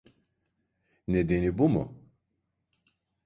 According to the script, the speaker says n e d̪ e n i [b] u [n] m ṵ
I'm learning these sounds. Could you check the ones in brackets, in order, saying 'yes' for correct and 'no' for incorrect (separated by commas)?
yes, no